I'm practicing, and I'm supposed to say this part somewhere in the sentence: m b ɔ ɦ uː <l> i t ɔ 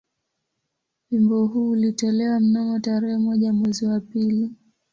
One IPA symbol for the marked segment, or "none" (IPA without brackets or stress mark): l